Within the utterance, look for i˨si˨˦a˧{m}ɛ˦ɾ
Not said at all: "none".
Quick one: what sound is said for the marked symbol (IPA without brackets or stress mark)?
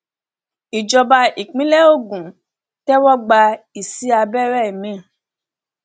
b